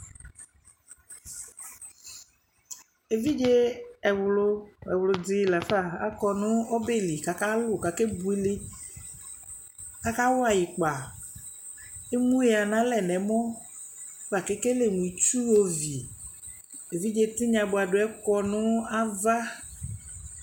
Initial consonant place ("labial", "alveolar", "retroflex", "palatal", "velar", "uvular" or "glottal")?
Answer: labial